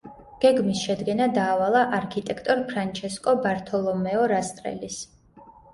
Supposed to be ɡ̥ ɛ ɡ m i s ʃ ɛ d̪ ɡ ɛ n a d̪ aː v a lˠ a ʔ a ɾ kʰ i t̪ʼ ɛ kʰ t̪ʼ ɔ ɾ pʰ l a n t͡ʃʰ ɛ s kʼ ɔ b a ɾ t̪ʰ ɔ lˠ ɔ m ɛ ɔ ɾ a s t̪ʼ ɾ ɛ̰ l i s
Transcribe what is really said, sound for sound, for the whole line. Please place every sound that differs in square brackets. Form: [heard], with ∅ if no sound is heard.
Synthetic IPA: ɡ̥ ɛ ɡ m i s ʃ ɛ d̪ ɡ ɛ n a d̪ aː v a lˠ a ʔ a ɾ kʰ i t̪ʼ ɛ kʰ t̪ʼ ɔ ɾ pʰ [ɾ] a n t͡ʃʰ ɛ s kʼ ɔ b a ɾ t̪ʰ ɔ lˠ ɔ m ɛ ɔ ɾ a s t̪ʼ ɾ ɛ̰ l i s